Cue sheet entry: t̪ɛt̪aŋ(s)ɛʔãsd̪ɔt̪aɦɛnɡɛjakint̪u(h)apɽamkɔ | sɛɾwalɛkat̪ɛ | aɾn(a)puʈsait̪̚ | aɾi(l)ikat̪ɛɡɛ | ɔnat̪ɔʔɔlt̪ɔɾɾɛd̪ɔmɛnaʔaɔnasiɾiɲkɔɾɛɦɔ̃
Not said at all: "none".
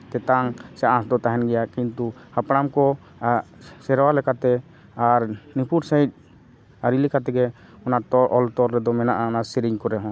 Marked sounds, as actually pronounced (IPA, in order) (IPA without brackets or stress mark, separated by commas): s, h, i, l